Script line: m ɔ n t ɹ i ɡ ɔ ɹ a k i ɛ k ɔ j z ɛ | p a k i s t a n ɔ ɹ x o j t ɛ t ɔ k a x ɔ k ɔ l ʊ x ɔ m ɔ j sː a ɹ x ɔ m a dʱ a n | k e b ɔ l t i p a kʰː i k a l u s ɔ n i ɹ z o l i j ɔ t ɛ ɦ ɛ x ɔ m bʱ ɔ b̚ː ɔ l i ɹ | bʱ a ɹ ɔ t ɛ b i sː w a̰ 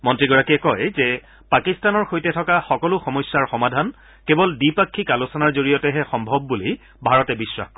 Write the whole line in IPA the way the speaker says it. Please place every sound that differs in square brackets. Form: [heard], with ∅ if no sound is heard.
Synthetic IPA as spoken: m ɔ n t ɹ i ɡ ɔ ɹ a k i ɛ k ɔ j z ɛ | p a k i s t a n ɔ ɹ x o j t ɛ [tʰ] ɔ k a x ɔ k ɔ l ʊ x ɔ m ɔ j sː a ɹ x ɔ m a dʱ a n | k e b ɔ l [d] i p a kʰː i k a l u s ɔ n [a] ɹ z o [ɹ] i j ɔ t ɛ ɦ ɛ x ɔ m bʱ ɔ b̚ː [u] l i [∅] | bʱ a ɹ ɔ t ɛ b i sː w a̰